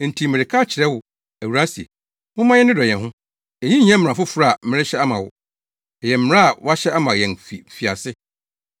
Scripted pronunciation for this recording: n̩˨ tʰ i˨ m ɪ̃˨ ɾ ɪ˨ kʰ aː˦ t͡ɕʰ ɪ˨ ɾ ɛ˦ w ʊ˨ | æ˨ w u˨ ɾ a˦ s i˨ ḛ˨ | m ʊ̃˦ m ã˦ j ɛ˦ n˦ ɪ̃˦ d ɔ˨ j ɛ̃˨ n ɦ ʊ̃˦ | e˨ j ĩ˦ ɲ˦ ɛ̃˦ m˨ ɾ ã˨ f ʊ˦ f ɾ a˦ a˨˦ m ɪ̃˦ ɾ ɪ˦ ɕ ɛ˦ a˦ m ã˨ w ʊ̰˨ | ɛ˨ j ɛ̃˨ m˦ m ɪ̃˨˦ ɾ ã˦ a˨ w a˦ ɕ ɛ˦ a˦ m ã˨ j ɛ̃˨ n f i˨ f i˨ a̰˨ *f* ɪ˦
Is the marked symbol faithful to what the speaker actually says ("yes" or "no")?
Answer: no